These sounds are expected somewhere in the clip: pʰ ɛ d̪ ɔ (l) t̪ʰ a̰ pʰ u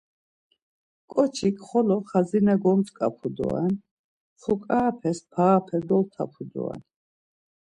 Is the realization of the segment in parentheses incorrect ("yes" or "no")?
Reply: no